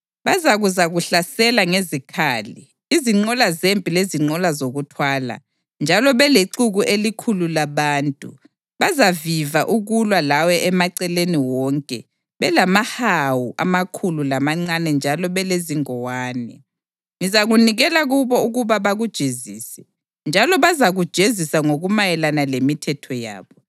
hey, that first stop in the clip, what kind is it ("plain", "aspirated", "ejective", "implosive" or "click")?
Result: aspirated